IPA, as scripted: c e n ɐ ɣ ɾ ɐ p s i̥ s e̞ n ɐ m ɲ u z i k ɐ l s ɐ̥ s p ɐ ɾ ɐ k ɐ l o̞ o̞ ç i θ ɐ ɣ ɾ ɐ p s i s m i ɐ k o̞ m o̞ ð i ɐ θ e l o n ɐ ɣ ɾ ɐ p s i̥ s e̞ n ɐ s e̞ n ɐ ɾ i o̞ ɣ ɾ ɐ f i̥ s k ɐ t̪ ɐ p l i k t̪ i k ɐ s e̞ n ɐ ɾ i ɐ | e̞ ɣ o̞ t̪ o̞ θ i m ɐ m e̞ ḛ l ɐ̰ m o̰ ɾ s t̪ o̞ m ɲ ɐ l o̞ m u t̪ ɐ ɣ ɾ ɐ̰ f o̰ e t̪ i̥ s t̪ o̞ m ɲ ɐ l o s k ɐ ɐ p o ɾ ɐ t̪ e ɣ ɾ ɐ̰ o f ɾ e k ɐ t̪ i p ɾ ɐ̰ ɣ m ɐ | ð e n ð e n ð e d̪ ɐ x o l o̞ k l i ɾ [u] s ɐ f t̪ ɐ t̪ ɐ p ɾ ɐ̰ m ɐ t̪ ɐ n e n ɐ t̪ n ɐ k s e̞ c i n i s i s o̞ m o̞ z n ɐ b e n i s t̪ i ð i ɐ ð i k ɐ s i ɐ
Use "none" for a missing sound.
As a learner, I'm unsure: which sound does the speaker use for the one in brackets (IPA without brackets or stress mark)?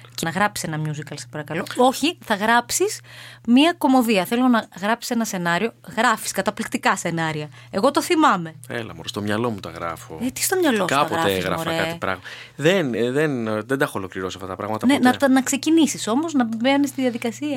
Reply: o